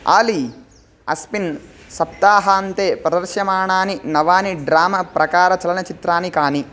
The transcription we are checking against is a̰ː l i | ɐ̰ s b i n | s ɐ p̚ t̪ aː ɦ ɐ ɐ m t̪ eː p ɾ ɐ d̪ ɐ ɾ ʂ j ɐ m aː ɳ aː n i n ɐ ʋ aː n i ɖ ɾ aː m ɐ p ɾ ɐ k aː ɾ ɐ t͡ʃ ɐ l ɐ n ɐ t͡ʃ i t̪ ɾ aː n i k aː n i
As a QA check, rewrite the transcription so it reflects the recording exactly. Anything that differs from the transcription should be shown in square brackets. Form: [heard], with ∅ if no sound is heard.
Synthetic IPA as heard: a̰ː l i | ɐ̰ s [p] i n | s ɐ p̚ t̪ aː ɦ ɐ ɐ [n] t̪ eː p ɾ ɐ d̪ ɐ ɾ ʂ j ɐ m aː ɳ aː n i n ɐ ʋ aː n i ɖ ɾ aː m ɐ p ɾ ɐ k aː ɾ ɐ t͡ʃ ɐ l ɐ n ɐ t͡ʃ i t̪ ɾ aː n i k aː n i